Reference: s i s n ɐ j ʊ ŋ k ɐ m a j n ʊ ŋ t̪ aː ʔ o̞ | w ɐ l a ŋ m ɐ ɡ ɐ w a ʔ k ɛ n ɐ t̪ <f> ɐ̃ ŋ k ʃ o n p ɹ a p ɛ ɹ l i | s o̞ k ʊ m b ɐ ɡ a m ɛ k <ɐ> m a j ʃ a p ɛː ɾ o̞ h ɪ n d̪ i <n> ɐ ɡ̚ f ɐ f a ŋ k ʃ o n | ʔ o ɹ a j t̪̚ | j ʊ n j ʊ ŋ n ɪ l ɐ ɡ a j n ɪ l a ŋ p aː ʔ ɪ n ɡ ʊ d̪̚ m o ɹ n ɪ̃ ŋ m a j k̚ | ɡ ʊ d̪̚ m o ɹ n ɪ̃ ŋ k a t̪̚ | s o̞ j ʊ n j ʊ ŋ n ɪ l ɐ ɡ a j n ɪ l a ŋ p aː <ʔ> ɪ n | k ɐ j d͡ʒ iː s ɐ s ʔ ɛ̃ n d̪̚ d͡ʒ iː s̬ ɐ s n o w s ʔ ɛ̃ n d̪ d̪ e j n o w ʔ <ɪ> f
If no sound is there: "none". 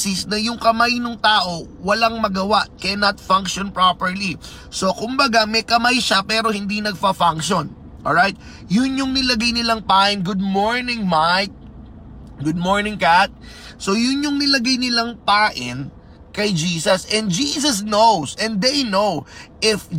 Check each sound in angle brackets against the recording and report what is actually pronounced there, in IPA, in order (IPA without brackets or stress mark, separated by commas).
f, ɐ, n, ʔ, ɪ